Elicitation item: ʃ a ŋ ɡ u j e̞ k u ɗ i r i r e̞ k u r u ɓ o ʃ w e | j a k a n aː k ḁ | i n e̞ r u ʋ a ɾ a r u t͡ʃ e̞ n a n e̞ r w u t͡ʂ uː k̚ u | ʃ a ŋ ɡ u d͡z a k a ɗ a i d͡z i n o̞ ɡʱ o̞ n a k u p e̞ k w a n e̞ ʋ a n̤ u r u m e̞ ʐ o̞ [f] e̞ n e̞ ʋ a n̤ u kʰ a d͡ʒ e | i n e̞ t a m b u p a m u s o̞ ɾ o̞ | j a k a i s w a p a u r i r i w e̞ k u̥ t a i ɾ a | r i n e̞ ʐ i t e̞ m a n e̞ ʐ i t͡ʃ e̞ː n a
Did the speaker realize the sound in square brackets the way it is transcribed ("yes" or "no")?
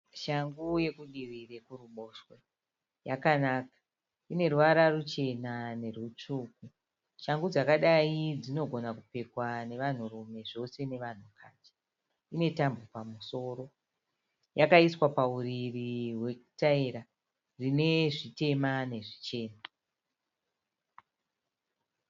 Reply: no